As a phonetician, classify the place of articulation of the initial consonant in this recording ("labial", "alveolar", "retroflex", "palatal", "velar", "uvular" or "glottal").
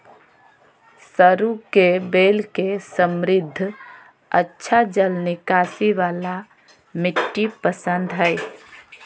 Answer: alveolar